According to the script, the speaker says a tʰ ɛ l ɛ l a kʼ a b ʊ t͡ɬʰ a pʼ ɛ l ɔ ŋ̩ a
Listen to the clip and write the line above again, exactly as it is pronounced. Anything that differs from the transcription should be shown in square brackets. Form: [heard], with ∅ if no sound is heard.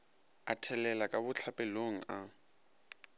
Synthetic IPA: a tʰ ɛ l ɛ l a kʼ a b ʊ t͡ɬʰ a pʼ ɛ l [o] ŋ̩ a